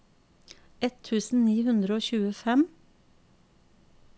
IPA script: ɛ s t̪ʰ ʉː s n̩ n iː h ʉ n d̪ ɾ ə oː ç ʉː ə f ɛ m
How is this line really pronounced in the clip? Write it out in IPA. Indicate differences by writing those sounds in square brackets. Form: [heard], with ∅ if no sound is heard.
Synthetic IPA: ɛ [∅] t̪ʰ ʉː s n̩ n iː h ʉ n d̪ ɾ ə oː ç ʉː ə f ɛ m

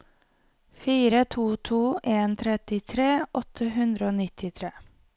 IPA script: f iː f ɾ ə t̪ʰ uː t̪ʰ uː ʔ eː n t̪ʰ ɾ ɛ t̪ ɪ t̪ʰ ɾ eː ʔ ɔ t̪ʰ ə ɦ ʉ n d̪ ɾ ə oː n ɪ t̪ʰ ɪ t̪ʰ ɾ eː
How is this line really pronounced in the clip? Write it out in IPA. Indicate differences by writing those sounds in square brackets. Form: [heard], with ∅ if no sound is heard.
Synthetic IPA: f iː [∅] ɾ ə t̪ʰ uː t̪ʰ uː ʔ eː n t̪ʰ ɾ ɛ t̪ ɪ t̪ʰ ɾ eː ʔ ɔ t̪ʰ ə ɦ ʉ n d̪ ɾ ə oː n ɪ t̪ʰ ɪ t̪ʰ ɾ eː

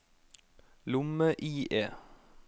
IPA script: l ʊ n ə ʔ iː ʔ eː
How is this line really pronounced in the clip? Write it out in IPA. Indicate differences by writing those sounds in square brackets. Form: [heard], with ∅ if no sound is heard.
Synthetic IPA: l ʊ [m] ə ʔ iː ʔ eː

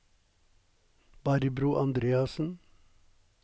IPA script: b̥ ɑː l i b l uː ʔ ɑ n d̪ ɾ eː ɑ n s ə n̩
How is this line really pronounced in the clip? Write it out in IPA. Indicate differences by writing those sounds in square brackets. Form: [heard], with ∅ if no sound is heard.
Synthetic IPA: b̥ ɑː [ɾ] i b [ɾ] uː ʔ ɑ n d̪ ɾ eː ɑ [∅] s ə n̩

